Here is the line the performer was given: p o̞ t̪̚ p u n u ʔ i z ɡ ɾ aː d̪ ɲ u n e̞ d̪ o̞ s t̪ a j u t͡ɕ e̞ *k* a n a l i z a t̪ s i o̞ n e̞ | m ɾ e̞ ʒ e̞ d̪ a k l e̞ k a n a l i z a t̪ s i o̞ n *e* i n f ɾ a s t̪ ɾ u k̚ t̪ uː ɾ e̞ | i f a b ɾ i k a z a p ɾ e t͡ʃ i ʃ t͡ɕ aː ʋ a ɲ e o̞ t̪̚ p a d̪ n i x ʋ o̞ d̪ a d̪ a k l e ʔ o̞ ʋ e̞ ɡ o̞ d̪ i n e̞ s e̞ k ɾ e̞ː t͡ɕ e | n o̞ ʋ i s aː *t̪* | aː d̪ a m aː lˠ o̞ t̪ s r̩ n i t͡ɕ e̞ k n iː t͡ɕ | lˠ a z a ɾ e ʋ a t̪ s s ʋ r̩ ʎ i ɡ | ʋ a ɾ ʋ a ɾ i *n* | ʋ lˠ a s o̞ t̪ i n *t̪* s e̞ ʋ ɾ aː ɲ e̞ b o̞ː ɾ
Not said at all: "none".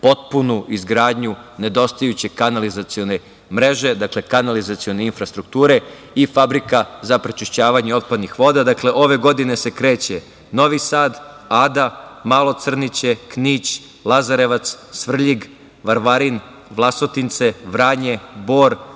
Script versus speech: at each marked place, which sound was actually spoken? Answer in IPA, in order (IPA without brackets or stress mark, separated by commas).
k, e, d̪, n, t̪